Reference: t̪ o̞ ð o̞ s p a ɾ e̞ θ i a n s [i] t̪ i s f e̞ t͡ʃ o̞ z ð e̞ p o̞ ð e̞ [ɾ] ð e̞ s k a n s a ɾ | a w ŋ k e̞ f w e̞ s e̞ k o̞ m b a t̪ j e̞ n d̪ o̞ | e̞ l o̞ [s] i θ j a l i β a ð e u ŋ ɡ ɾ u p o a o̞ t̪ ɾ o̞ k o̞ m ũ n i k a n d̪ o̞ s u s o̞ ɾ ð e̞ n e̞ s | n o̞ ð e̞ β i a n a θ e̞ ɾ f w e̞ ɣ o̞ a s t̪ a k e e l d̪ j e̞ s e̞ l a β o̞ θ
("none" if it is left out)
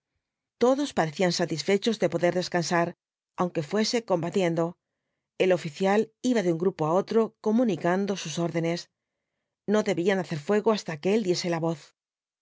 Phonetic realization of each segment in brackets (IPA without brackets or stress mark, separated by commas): a, ɾ, f